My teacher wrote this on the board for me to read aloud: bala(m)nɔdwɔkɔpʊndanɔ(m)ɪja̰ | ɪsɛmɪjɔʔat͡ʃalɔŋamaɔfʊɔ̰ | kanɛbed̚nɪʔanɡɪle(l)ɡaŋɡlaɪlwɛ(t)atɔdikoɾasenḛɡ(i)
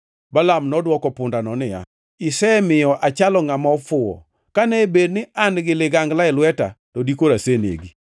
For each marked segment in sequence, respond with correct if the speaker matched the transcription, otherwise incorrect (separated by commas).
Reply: correct, incorrect, incorrect, correct, correct